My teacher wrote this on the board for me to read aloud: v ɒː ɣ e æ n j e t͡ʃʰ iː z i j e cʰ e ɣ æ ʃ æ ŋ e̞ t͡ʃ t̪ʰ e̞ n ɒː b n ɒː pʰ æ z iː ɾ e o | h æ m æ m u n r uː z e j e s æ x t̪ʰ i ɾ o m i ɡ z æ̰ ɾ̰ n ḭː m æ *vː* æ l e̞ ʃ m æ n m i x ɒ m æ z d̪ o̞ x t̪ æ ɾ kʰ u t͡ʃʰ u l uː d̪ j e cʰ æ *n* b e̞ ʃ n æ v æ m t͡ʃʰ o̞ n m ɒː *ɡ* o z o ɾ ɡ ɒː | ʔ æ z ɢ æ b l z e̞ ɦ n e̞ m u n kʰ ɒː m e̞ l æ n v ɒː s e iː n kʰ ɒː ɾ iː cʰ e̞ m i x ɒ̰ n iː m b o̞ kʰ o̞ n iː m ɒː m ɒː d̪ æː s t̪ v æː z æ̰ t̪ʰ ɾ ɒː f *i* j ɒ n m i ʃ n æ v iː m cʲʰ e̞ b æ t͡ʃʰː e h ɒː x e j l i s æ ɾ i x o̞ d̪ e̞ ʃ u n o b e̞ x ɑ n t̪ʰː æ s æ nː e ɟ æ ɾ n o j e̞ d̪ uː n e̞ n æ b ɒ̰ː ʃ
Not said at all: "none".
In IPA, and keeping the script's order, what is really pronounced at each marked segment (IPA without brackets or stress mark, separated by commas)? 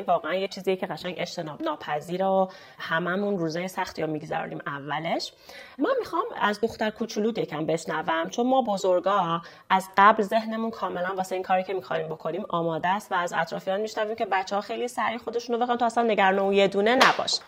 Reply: vː, m, b, i